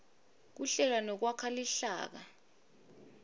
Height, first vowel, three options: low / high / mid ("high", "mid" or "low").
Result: high